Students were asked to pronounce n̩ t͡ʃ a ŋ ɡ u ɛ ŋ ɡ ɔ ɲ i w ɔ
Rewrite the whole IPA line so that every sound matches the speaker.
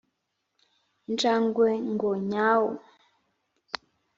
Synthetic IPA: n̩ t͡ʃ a ŋ ɡ w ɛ ŋ ɡ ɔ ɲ a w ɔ